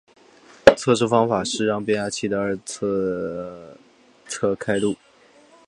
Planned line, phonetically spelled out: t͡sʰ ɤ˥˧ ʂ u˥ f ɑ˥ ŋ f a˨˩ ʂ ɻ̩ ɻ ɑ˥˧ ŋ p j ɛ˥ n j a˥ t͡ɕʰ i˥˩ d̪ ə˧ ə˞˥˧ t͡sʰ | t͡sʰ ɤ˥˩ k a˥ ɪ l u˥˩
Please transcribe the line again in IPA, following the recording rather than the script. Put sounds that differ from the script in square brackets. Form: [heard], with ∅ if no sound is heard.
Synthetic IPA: t͡sʰ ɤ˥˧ ʂ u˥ f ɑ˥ ŋ f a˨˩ ʂ ɻ̩ ɻ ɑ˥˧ ŋ p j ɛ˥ n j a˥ t͡ɕʰ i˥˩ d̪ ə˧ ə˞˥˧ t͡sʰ | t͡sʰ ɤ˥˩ [kʰ] a˥ ɪ l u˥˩